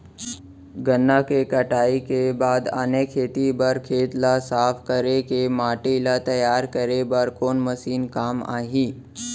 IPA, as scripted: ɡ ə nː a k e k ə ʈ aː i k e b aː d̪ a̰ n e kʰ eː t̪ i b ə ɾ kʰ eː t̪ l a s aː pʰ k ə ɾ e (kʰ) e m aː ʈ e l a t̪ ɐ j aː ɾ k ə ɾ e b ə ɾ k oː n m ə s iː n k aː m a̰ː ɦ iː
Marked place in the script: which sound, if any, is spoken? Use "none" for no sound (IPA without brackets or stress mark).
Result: k